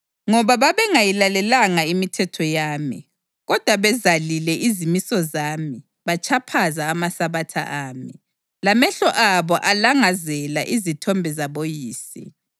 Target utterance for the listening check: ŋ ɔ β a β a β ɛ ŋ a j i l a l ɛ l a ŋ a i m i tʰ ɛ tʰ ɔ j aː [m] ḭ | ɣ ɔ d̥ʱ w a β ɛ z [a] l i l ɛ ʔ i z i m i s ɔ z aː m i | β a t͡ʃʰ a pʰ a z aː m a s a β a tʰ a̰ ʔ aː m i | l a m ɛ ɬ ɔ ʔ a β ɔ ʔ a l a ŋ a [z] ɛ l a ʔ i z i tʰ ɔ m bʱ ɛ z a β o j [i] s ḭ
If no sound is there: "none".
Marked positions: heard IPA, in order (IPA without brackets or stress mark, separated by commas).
m, a, z, iː